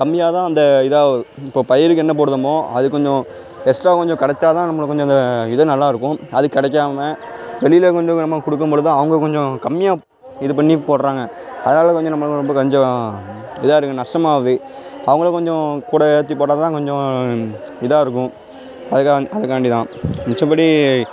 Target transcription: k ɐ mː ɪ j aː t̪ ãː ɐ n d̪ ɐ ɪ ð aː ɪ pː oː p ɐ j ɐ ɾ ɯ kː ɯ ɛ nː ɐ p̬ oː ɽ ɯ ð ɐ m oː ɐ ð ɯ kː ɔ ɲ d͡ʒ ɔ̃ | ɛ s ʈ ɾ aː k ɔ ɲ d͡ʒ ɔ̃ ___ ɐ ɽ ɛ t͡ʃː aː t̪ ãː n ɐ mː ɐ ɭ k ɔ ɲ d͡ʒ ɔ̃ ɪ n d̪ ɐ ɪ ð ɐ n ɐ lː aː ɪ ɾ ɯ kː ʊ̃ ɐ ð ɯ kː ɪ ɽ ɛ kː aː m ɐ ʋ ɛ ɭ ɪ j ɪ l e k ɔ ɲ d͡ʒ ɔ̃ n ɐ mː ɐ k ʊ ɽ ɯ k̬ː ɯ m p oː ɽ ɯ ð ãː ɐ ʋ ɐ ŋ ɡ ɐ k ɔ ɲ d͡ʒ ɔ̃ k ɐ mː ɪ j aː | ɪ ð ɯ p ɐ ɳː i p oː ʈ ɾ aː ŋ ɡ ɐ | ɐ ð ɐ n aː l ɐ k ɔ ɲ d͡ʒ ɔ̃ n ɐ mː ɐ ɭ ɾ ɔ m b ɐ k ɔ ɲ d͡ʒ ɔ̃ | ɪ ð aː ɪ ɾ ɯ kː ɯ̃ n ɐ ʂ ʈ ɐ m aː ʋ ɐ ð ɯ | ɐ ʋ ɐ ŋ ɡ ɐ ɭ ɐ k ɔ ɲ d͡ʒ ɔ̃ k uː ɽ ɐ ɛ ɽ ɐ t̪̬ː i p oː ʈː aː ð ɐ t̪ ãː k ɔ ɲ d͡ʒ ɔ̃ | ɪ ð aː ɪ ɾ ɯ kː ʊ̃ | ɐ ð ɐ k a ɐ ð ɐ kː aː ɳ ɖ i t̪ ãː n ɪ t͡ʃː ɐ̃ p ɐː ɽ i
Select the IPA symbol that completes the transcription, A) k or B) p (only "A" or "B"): A